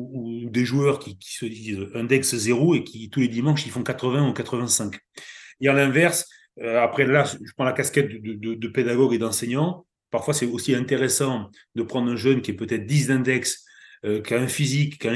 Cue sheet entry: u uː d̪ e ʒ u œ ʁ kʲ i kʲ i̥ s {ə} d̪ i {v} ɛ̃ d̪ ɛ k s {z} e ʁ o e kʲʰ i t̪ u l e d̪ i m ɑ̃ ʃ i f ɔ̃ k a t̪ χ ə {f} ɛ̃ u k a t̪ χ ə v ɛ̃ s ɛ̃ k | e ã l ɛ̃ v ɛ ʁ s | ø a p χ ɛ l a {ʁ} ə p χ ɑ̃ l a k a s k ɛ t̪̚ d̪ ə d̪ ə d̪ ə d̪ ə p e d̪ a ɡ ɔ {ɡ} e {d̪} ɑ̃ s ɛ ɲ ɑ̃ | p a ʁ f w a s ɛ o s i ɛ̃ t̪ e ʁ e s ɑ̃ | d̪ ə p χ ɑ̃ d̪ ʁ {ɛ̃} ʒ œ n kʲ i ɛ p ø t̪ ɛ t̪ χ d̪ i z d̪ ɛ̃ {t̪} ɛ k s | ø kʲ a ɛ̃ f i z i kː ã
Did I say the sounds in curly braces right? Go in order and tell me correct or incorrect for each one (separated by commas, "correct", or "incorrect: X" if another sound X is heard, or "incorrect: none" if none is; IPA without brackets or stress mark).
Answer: correct, incorrect: z, correct, incorrect: v, incorrect: ʒ, correct, correct, correct, incorrect: d̪